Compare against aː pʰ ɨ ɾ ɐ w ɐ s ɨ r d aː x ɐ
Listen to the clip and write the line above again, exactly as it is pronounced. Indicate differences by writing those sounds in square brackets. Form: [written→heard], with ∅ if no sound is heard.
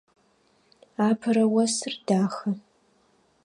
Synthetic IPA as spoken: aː pʰ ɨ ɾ ɐ w ɐ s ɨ r d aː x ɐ